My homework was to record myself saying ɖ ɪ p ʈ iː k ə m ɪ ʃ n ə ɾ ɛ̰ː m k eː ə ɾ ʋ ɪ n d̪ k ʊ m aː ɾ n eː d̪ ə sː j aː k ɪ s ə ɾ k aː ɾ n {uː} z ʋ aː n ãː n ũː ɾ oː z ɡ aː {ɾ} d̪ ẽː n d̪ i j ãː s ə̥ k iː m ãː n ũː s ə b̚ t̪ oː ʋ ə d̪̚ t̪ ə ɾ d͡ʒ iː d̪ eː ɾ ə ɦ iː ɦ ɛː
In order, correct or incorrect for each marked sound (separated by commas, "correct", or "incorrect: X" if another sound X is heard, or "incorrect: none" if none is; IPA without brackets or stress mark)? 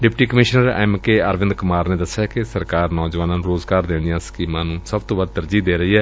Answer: incorrect: ɔː, correct